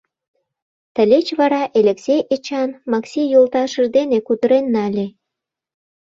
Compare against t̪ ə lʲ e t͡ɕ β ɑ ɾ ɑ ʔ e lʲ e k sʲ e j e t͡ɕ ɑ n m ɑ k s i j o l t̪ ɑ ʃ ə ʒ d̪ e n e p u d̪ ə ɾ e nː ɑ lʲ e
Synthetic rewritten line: t̪ ə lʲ e t͡ɕ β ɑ ɾ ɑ ʔ e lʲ e k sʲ e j e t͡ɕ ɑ n m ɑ k s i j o l t̪ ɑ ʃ ə ʒ d̪ e n e k u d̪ ə ɾ e nː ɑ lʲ e